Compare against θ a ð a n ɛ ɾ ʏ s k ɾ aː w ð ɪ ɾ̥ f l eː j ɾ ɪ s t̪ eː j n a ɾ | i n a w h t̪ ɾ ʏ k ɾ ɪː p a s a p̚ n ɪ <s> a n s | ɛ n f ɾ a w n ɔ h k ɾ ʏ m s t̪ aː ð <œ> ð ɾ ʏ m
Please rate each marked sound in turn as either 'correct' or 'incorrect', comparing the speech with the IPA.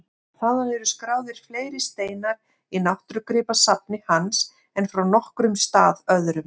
incorrect: h, correct

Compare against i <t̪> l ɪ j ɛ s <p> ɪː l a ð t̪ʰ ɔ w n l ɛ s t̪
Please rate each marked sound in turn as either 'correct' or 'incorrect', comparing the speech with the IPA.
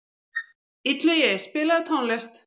correct, correct

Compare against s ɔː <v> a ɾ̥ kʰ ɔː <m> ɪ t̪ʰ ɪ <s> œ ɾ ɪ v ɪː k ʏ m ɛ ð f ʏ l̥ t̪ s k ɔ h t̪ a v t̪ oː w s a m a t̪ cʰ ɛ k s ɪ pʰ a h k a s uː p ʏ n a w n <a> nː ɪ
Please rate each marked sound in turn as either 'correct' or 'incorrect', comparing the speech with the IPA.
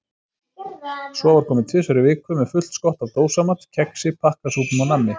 correct, correct, correct, correct

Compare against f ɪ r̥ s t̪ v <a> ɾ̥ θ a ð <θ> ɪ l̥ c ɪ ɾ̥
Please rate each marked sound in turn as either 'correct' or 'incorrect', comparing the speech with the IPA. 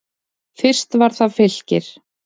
correct, incorrect: f

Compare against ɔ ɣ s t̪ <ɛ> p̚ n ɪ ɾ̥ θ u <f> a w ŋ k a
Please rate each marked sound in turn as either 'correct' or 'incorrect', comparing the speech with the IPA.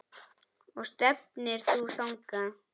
correct, incorrect: θ

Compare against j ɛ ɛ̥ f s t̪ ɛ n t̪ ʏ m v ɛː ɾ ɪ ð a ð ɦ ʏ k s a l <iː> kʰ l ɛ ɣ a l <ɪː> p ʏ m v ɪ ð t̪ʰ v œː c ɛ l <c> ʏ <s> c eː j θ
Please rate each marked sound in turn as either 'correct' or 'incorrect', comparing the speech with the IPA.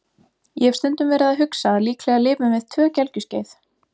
correct, correct, correct, correct

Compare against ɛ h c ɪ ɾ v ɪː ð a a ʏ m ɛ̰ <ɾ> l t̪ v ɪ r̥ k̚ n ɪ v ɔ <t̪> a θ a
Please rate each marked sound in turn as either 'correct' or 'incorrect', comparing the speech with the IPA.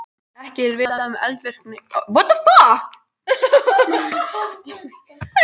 incorrect: none, correct

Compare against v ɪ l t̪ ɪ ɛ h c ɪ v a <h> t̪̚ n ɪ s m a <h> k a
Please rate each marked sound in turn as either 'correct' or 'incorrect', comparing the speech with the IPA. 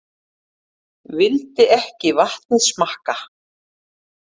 correct, correct

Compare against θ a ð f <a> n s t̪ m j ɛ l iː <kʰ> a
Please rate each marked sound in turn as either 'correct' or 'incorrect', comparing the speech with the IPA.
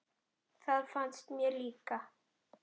correct, incorrect: k

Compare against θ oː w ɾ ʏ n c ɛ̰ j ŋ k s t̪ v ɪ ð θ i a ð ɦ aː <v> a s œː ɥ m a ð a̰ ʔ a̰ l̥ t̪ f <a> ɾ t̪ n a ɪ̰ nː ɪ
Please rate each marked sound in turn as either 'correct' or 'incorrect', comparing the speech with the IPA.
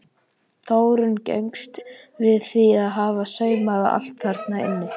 correct, correct

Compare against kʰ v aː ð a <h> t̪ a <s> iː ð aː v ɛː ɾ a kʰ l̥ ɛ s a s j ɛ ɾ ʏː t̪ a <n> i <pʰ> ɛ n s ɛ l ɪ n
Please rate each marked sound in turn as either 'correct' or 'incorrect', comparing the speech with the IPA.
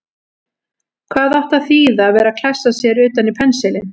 correct, incorrect: θ, correct, correct

